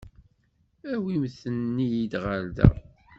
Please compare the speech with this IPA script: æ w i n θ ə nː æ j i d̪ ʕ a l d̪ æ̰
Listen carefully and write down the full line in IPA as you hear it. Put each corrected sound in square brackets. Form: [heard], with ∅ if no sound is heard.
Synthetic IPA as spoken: æ w i [m] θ ə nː [i] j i d̪ [ʁ] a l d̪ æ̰